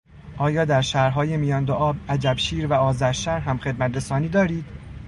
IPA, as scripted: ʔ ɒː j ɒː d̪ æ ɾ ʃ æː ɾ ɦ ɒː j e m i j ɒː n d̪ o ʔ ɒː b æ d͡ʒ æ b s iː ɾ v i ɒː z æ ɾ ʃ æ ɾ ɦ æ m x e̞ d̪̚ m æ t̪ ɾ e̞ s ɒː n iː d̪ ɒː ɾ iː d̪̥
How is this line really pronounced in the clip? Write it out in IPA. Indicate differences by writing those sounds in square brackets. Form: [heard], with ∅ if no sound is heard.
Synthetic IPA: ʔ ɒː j ɒː d̪ æ ɾ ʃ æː ɾ ɦ ɒː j e m i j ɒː n d̪ o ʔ ɒː b æ d͡ʒ æ b [ʃ] iː ɾ v [æ] ɒː z æ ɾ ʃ æ ɾ ɦ æ m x e̞ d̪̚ m æ t̪ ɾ e̞ s ɒː n iː d̪ ɒː ɾ iː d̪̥